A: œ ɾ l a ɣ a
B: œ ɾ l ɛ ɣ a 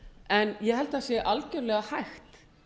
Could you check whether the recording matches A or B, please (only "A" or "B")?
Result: B